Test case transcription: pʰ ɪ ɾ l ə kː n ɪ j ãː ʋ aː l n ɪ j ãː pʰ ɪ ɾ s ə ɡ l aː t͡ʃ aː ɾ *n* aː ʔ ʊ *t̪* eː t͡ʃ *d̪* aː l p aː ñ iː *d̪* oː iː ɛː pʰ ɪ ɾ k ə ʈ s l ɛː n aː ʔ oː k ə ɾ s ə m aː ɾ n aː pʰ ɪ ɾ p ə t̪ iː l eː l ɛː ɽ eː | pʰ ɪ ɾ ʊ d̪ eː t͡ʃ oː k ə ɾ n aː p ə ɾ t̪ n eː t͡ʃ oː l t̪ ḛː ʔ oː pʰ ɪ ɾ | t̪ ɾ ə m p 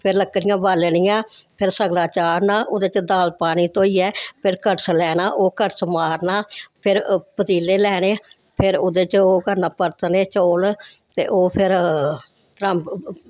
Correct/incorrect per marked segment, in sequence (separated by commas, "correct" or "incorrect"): correct, incorrect, correct, incorrect